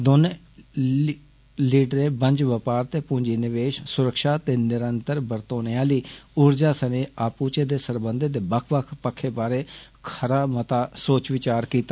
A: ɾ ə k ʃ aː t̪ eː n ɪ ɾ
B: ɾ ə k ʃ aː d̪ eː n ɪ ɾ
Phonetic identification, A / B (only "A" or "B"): A